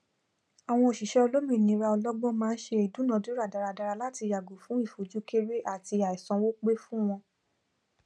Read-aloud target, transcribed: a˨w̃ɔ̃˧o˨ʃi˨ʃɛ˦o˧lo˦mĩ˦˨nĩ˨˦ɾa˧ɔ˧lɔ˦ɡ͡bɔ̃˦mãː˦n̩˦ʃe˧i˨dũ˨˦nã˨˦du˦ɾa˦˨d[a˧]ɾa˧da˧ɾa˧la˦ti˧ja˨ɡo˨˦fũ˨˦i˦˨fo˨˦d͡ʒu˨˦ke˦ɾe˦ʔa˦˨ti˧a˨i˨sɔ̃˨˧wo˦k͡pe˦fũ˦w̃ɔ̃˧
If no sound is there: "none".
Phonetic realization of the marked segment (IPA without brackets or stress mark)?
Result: a˧